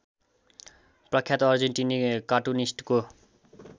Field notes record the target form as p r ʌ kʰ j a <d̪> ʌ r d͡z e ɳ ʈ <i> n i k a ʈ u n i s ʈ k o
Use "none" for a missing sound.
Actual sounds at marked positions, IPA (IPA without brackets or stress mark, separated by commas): t̪, i